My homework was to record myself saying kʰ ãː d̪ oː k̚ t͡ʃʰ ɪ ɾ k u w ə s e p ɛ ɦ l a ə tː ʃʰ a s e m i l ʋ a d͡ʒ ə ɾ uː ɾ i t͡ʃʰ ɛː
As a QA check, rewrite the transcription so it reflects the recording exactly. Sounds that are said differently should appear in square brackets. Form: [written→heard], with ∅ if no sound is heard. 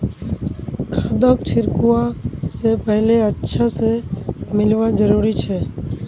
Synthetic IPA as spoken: kʰ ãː d̪ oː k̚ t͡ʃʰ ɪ ɾ k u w [ə→a] s e p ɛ ɦ l [a→e] ə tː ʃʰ a s e m [i→ɪ] l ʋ a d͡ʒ ə ɾ uː ɾ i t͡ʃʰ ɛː

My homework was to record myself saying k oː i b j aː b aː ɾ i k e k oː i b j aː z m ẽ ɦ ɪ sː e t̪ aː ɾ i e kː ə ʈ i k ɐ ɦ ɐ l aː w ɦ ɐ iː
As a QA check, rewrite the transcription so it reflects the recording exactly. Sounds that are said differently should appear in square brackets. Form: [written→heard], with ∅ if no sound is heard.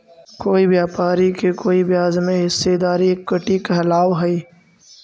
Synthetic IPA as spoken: k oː i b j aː [b→p] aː ɾ i k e k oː i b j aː z m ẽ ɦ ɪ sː e [t̪→d̪] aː ɾ i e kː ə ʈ i k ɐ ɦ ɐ l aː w ɦ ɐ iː

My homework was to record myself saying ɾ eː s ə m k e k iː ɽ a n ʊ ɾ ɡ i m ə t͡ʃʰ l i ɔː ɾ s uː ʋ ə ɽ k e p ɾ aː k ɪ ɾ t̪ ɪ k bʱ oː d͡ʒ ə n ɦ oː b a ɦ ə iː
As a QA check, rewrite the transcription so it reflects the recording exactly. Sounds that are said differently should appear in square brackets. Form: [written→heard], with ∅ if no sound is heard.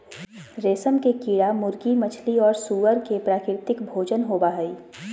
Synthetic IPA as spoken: ɾ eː s ə m k e k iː ɽ a [n→m] ʊ ɾ ɡ i m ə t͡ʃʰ l i ɔː ɾ s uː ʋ ə [ɽ→ɾ] k e p ɾ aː k ɪ ɾ t̪ ɪ k bʱ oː d͡ʒ ə n ɦ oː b a ɦ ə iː

